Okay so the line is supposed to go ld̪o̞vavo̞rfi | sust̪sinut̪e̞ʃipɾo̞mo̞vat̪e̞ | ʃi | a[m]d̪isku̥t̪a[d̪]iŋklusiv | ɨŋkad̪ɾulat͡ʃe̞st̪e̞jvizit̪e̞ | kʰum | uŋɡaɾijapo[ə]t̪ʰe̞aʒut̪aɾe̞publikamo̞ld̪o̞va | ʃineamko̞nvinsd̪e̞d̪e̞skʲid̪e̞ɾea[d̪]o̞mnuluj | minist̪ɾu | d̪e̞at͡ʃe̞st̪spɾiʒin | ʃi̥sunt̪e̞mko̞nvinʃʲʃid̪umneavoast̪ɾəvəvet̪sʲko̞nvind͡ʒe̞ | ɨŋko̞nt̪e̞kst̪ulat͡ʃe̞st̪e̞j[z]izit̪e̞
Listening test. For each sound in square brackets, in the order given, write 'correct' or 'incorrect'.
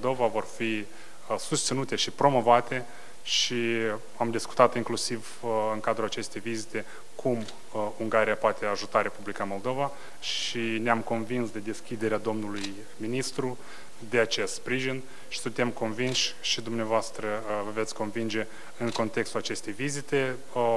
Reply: correct, incorrect, incorrect, correct, incorrect

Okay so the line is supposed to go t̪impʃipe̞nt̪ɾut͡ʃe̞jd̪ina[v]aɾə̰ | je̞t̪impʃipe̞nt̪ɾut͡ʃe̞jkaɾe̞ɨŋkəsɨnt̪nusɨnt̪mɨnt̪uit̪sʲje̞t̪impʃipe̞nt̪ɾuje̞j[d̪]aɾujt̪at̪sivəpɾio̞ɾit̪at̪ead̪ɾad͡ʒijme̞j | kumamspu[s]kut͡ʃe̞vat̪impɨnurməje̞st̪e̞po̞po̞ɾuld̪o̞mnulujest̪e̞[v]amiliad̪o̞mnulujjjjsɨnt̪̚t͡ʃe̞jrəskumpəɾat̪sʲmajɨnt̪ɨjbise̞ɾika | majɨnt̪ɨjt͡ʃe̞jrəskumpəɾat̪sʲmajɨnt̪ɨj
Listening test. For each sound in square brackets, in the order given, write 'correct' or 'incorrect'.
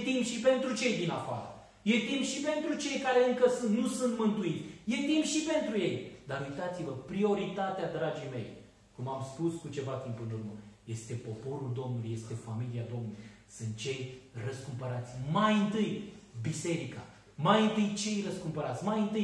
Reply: incorrect, correct, correct, incorrect

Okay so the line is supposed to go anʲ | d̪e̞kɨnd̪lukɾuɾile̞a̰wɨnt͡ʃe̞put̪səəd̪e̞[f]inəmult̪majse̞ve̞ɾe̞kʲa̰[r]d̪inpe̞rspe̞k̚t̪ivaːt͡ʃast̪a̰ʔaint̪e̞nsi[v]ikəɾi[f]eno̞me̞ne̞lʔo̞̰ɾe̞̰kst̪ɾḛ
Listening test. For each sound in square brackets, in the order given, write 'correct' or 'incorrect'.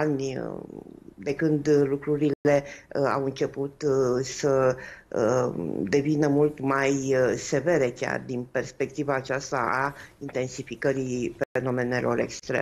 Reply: incorrect, correct, incorrect, correct

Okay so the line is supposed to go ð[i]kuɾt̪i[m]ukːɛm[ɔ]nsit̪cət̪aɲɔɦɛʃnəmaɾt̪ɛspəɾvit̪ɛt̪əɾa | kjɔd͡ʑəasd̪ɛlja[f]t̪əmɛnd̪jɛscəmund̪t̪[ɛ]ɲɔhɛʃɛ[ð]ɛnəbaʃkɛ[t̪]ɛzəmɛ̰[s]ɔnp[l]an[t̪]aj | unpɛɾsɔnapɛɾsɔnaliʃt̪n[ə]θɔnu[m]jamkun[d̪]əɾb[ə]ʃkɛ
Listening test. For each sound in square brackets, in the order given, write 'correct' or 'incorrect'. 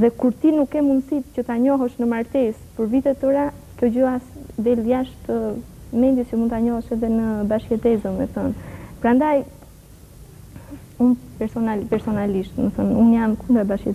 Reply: incorrect, incorrect, incorrect, incorrect, incorrect, correct, correct, incorrect, incorrect, incorrect, correct, incorrect, correct, incorrect

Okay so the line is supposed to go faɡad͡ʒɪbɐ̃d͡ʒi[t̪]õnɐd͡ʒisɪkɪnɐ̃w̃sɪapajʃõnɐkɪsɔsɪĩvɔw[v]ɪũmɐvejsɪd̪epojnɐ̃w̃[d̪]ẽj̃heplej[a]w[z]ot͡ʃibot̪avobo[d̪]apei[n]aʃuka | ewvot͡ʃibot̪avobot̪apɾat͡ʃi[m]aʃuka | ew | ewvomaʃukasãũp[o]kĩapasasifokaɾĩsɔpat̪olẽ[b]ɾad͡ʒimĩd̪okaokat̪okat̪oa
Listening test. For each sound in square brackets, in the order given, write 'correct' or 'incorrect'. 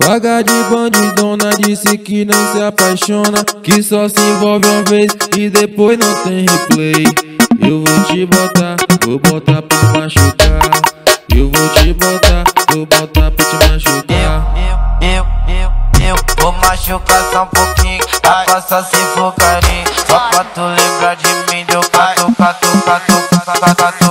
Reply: incorrect, correct, incorrect, incorrect, incorrect, incorrect, incorrect, correct, correct, correct

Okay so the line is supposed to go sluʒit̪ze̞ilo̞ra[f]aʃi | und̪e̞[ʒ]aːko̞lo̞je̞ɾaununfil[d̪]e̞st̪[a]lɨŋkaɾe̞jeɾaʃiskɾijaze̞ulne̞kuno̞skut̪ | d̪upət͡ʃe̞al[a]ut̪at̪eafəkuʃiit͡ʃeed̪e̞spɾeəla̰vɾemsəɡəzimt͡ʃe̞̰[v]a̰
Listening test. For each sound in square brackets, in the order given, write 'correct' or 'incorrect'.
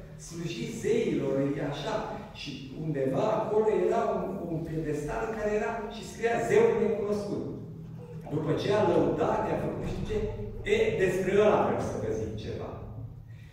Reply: incorrect, incorrect, correct, correct, incorrect, correct

